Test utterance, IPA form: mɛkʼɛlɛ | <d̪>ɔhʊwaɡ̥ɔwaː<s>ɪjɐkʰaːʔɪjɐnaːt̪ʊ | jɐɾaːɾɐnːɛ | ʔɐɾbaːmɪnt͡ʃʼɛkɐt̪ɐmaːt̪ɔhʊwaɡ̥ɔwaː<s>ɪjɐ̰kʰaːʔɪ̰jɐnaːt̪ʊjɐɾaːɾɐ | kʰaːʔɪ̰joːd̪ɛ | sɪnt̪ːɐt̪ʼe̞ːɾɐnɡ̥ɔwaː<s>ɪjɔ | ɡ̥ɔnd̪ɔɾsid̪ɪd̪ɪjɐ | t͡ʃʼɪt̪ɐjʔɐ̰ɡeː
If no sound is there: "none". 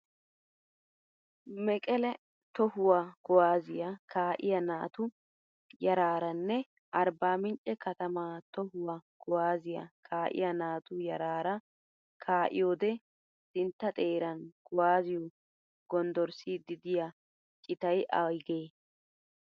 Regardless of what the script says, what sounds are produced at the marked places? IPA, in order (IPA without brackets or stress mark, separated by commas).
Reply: t̪, z, z, z